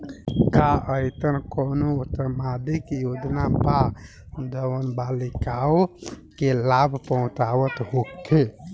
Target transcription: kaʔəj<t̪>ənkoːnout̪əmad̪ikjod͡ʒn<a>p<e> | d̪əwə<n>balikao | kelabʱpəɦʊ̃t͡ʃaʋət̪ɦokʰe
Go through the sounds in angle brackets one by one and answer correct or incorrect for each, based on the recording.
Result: correct, correct, incorrect: a, correct

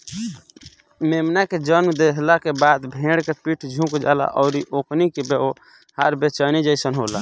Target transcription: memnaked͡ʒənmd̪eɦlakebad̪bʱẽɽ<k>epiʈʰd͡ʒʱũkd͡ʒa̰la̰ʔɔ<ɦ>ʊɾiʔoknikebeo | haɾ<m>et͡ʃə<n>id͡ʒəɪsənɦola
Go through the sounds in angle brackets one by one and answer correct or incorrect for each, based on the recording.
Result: correct, incorrect: none, incorrect: b, correct

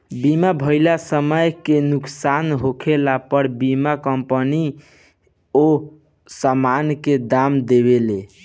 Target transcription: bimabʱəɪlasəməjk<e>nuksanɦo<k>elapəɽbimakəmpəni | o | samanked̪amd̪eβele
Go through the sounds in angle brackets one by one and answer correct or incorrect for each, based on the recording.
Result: correct, incorrect: kʰ

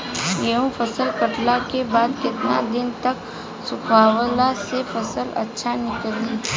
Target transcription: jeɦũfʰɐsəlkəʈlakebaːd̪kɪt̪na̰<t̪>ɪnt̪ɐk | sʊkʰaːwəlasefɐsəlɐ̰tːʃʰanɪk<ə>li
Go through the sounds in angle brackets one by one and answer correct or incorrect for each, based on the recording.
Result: incorrect: d̪, correct

